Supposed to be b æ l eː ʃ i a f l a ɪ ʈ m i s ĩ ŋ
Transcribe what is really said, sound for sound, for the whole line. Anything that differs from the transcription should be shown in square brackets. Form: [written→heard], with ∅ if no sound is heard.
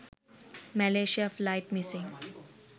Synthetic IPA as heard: [b→m] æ l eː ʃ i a f l a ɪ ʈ m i s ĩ ŋ